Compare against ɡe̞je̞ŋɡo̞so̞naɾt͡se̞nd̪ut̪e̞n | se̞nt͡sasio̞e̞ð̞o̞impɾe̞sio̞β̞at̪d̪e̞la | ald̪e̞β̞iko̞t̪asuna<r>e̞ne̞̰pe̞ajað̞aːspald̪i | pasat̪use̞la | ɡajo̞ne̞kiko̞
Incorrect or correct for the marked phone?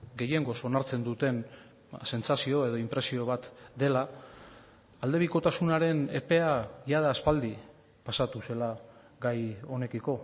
incorrect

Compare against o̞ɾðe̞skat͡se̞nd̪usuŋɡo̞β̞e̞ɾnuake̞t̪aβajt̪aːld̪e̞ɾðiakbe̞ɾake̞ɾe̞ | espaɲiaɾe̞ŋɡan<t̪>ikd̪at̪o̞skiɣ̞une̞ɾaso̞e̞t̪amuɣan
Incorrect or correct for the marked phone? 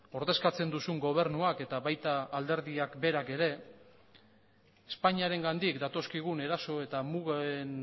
incorrect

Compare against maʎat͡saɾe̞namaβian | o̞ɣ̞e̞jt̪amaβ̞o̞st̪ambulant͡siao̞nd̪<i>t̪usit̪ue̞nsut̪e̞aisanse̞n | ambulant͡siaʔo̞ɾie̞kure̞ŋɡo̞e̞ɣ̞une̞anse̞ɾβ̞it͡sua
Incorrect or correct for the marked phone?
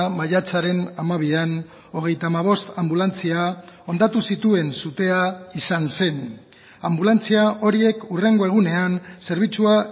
incorrect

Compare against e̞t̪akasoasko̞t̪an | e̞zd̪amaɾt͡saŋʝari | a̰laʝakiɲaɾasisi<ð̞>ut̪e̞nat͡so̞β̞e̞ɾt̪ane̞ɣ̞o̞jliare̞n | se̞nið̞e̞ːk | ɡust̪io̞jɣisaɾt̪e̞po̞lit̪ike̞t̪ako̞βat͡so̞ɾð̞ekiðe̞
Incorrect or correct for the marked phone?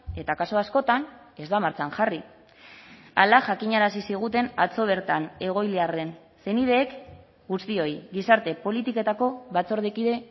incorrect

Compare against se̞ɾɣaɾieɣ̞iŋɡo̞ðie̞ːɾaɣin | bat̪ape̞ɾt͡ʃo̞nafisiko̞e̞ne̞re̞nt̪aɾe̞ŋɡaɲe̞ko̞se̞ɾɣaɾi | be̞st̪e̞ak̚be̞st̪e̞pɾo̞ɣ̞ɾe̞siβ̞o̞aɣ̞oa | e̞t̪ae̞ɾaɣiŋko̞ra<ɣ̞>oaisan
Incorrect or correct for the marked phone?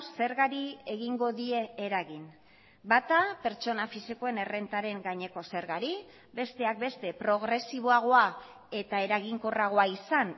correct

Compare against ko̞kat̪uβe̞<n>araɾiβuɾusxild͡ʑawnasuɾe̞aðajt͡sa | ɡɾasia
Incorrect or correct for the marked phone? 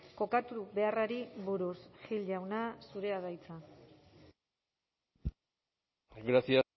incorrect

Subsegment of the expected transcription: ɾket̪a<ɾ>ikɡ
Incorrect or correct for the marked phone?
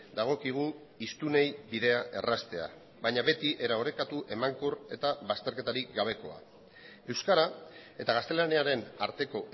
correct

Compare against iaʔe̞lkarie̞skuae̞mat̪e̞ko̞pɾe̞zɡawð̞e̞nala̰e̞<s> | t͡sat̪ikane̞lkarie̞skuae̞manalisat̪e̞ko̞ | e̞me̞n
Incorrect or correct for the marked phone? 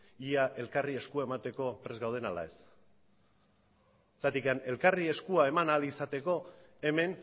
correct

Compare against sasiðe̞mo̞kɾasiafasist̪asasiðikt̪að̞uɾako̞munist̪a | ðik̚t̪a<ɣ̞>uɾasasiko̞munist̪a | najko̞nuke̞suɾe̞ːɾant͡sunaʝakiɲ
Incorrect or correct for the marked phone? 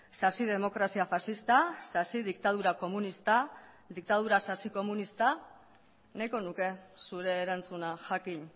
incorrect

